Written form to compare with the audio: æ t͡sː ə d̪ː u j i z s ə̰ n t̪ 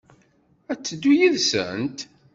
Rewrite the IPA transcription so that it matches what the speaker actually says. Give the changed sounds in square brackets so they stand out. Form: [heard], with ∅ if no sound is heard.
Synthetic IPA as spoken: æ t͡sː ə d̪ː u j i [ð] s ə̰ n t̪

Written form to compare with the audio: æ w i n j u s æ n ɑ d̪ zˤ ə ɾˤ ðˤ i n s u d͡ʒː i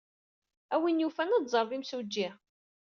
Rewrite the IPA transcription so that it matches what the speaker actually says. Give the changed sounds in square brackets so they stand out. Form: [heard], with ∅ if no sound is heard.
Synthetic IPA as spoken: æ w i n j u [f] æ n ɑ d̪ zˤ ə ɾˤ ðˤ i [m] s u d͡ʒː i

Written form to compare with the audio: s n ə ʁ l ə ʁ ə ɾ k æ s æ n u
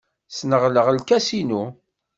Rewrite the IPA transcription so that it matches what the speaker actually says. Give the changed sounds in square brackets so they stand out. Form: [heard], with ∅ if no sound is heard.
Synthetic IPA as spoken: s n ə ʁ l ə ʁ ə [l] k æ s [i] n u

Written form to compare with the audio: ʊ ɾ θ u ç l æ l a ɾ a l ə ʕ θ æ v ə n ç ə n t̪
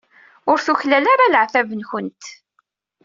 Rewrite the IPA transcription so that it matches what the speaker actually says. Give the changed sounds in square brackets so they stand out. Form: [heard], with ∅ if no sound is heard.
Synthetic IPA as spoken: ʊ ɾ θ u ç l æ l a ɾ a l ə ʕ θ æ v ə n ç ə n t̪

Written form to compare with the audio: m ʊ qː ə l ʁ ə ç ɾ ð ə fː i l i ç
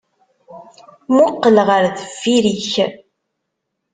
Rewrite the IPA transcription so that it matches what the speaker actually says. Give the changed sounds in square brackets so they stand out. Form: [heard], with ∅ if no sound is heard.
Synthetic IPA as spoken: m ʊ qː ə l ʁ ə [∅] ɾ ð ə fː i [ɾ] i ç

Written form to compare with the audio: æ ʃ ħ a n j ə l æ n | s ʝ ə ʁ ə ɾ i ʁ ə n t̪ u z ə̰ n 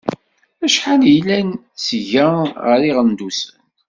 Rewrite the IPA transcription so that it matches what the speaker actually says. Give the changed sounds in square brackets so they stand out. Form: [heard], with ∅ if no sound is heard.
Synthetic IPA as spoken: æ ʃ ħ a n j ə l æ n | s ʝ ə ʁ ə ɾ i ʁ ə n [d̪] u [s] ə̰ n

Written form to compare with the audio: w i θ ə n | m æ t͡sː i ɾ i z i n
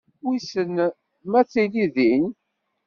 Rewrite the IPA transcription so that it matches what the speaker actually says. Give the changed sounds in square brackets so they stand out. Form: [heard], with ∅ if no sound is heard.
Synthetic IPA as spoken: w i [s] ə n | m æ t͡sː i [l] i [ð] i n

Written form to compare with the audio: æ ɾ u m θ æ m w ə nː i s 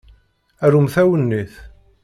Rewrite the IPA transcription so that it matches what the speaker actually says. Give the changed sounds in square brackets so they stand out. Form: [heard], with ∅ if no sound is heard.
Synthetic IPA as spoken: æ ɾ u m θ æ [∅] w ə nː i [θ]

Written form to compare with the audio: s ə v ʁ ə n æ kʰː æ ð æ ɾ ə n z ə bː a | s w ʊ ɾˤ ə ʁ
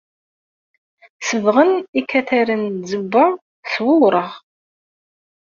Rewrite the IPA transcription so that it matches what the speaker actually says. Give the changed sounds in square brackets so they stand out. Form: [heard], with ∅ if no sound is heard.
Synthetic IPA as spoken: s ə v ʁ ə n [i] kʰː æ [θ] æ ɾ ə n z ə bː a | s w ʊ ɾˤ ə ʁ

